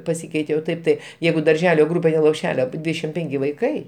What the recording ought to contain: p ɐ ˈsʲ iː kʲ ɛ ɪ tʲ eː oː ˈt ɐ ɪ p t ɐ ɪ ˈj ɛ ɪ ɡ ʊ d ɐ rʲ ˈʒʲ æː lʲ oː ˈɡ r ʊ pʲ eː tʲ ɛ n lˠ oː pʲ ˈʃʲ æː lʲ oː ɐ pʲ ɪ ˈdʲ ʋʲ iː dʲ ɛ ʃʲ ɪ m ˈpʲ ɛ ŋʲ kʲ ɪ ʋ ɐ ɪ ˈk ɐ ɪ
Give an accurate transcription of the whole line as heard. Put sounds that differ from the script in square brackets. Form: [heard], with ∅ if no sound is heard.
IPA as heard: p ɐ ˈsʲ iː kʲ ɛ ɪ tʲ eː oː ˈt ɐ ɪ p t ɐ ɪ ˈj ɛ ɪ ɡ ʊ d ɐ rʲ ˈʒʲ æː lʲ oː ˈɡ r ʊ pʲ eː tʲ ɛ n lˠ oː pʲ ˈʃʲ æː lʲ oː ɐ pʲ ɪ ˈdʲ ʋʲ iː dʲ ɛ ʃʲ ɪ m ˈpʲ ɛ ŋʲ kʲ ɪ ʋ ɐ ɪ ˈk ɐ ɪ